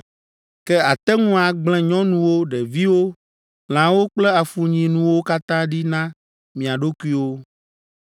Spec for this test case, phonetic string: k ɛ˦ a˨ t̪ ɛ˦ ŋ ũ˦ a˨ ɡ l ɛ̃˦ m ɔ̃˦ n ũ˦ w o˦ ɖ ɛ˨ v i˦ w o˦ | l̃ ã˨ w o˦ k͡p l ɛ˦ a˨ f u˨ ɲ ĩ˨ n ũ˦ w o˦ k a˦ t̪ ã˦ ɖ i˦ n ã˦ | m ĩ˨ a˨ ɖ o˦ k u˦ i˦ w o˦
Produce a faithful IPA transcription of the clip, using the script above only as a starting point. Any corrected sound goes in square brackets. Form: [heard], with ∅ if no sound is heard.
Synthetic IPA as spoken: k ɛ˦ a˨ t̪ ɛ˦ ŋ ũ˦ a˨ [ɡ͡b] l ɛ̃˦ [ɲ] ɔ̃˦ n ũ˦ w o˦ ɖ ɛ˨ v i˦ w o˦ | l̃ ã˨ w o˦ k͡p l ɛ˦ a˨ f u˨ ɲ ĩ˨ n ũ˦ w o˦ k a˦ t̪ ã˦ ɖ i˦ n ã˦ | m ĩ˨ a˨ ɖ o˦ k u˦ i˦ w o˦

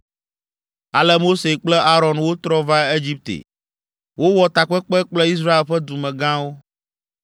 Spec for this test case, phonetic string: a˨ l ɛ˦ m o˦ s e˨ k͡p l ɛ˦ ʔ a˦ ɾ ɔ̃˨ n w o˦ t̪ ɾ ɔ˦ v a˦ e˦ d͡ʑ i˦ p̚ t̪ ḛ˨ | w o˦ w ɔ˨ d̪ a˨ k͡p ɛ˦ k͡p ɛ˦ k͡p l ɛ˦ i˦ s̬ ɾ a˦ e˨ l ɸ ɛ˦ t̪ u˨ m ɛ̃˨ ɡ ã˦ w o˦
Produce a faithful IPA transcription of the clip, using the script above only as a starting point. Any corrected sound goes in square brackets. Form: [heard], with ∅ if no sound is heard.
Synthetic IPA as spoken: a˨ l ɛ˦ m o˦ s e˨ k͡p l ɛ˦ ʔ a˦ ɾ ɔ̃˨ n w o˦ t̪ ɾ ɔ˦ v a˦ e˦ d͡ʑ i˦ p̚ t̪ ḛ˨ | w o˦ w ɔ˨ [t̪] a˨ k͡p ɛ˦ k͡p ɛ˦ k͡p l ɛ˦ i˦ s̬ ɾ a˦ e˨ l ɸ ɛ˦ [d̪] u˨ m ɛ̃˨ ɡ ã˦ w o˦

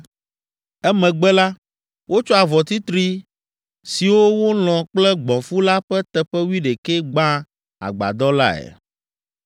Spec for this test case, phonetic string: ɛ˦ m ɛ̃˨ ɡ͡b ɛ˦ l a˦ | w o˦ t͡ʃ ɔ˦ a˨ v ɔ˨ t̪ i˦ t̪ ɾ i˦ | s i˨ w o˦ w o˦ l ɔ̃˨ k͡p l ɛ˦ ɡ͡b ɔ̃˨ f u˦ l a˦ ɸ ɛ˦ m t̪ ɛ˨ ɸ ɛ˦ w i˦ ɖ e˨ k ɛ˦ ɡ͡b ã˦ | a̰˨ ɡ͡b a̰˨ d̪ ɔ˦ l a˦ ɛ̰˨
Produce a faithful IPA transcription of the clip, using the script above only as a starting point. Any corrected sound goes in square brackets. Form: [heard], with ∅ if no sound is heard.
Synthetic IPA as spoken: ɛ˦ m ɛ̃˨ ɡ͡b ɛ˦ l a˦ | w o˦ t͡ʃ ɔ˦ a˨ v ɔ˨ t̪ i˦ t̪ ɾ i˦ | s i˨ w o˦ w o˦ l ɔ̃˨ k͡p l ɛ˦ ɡ͡b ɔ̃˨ f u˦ l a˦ ɸ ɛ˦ [∅] t̪ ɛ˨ ɸ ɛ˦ w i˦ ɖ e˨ k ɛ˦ ɡ͡b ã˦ | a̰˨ ɡ͡b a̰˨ d̪ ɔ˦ l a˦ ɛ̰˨

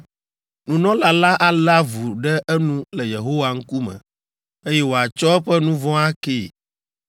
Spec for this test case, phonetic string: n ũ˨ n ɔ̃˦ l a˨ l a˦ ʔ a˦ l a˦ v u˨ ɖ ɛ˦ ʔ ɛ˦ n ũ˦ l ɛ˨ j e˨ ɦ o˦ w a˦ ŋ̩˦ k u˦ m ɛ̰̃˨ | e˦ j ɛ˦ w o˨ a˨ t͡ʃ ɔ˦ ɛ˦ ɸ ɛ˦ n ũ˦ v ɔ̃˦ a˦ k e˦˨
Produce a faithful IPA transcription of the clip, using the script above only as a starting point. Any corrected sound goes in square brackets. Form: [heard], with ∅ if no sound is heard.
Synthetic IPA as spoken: n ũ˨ n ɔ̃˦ l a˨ l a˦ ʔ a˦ l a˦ v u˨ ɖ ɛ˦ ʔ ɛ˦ n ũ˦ l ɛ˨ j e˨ ɦ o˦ w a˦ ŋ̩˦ k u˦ m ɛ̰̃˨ | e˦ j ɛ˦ w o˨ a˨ t͡ʃ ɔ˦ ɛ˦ ɸ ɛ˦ n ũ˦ v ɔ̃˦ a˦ k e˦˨

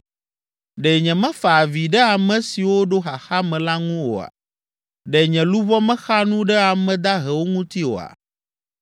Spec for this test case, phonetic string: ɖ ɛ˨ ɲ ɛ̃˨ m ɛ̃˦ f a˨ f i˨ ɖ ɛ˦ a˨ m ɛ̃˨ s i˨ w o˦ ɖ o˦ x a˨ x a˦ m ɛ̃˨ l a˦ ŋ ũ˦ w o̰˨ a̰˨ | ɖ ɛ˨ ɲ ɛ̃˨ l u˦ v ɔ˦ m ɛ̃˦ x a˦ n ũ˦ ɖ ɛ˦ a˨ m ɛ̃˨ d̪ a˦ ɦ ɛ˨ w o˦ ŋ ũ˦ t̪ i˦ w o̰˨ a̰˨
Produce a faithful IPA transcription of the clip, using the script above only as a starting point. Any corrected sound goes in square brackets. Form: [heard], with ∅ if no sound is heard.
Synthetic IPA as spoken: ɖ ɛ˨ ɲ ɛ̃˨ m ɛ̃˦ f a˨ [v] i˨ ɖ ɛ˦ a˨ m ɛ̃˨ s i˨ w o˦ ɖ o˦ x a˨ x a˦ m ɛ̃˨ l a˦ ŋ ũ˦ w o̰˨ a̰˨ | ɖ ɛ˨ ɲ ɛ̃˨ l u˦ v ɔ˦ m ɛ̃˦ x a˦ n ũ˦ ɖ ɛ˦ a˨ m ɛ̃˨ d̪ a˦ ɦ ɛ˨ w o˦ ŋ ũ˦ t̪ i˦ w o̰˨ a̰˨

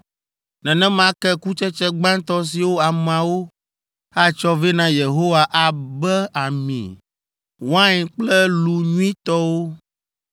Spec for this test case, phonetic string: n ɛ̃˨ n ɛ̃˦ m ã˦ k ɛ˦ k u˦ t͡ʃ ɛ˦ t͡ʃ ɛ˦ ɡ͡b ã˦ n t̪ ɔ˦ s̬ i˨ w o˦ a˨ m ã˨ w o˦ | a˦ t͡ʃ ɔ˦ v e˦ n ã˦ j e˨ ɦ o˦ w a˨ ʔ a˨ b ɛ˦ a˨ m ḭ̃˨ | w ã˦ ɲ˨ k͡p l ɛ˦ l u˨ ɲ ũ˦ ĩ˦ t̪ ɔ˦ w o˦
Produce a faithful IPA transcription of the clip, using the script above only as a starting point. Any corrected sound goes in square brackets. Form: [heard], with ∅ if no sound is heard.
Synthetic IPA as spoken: n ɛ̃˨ n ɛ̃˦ m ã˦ k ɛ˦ k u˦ t͡ʃ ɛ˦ t͡ʃ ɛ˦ ɡ͡b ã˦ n t̪ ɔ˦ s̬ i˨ w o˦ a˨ m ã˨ w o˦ | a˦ t͡ʃ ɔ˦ v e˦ n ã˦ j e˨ ɦ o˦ w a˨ ʔ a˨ b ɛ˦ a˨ m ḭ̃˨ | w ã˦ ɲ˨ k͡p l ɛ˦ l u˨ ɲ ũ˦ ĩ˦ t̪ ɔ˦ w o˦

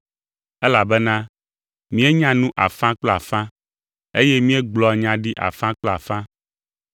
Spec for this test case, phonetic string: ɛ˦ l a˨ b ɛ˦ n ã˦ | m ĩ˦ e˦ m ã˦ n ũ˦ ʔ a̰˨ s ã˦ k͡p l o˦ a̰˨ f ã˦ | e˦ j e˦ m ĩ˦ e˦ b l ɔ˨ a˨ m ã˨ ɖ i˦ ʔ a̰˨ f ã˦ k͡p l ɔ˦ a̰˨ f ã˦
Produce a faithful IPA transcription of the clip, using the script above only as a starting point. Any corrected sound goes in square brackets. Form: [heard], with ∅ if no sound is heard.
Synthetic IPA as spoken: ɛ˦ l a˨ b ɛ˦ n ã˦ | m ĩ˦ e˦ [ɲ] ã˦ n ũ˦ ʔ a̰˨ [f] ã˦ k͡p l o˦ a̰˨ f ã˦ | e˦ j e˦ m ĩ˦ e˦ [ɡ͡b] l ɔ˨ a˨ [ɲ] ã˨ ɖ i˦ ʔ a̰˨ f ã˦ k͡p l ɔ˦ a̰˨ f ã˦

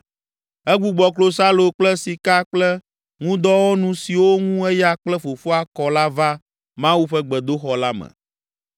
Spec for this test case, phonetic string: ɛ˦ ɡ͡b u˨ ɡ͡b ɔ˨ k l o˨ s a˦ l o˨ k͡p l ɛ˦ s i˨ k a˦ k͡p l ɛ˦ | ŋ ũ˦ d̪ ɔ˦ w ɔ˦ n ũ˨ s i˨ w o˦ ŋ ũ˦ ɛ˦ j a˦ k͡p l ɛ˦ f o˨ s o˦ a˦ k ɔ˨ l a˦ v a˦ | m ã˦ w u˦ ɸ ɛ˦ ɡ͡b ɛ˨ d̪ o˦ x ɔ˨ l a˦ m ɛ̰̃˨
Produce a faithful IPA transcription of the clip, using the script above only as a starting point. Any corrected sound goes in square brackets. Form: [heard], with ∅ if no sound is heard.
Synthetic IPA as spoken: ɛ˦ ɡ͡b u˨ ɡ͡b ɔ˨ k l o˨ s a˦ l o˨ k͡p l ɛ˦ s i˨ k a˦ k͡p l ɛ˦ | ŋ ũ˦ d̪ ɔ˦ w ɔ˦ n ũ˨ s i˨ w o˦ ŋ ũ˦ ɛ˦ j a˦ k͡p l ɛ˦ f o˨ [f] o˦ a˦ k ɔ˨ l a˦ v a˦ | m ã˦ w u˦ ɸ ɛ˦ ɡ͡b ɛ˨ d̪ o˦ x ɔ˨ l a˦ m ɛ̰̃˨

